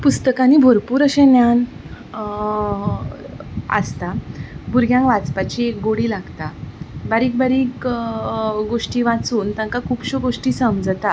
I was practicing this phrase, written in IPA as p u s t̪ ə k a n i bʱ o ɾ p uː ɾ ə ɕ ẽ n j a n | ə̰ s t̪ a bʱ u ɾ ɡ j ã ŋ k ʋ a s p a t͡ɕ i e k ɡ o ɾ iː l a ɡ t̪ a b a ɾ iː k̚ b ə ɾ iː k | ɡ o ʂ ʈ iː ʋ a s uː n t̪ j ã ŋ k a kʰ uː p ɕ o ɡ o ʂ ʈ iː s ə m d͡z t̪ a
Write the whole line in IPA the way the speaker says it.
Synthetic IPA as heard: p u s t̪ ə k a n i bʱ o ɾ p uː ɾ ə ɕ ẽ n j a n | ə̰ s t̪ a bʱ u ɾ ɡ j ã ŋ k ʋ a t͡s p a t͡ɕ i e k ɡ o ɽ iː l a ɡ t̪ a b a ɾ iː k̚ b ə ɾ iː k | ɡ o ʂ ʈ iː ʋ a t͡s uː n t̪ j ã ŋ k a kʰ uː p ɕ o ɡ o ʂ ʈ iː s ə m d͡z t̪ a